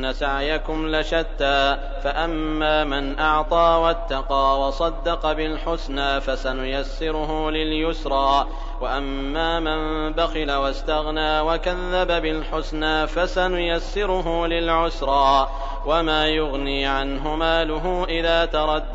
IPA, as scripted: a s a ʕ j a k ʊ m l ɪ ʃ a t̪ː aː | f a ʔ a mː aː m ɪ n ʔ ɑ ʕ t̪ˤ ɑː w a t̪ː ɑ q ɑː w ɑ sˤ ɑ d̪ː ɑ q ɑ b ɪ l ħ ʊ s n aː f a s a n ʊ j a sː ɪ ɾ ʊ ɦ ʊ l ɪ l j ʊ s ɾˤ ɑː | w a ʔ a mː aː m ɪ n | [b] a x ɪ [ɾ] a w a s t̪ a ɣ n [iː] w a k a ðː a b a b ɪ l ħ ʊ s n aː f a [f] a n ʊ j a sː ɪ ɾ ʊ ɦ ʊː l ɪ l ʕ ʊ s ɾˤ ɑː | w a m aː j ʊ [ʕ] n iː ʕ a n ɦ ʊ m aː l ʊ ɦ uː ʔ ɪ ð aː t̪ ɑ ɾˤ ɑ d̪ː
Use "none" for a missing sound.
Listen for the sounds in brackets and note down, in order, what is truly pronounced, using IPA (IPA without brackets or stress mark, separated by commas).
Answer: b, l, aː, s, ɣ